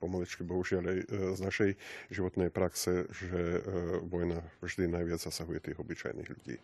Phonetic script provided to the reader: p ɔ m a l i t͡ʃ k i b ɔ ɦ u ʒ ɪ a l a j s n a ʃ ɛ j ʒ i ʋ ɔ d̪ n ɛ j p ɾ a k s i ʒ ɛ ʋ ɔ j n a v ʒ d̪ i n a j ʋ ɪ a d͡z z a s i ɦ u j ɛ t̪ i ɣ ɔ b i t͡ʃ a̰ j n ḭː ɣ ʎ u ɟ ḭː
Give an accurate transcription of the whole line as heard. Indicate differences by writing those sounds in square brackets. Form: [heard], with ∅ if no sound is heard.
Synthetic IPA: p ɔ m a l i t͡ʃ k i b ɔ ɦ u ʒ ɪ a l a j [z] n a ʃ ɛ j ʒ i ʋ ɔ [t̪] n ɛ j p ɾ a k s [ɛ] ʒ ɛ ʋ ɔ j n a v ʒ d̪ i n a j ʋ ɪ a d͡z z a s [a] ɦ u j ɛ t̪ [iː] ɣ ɔ b i t͡ʃ a̰ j n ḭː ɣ ʎ u ɟ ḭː